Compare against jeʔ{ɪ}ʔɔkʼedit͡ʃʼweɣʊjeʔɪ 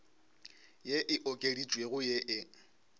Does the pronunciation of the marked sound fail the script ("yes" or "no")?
no